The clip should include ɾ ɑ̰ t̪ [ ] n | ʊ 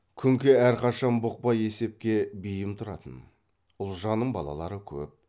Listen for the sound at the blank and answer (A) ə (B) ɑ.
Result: A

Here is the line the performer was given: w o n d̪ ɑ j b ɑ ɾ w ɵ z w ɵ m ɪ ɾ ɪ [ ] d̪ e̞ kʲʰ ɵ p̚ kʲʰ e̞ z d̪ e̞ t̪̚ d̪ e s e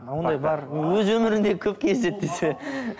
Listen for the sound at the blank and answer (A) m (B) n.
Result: B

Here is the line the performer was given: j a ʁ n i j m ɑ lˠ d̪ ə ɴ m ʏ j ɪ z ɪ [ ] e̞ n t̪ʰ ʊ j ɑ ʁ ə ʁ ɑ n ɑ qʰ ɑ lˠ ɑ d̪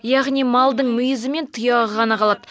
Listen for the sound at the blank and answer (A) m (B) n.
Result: A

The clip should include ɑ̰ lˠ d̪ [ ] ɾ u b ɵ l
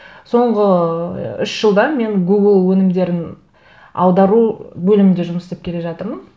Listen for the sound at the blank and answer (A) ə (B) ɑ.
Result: B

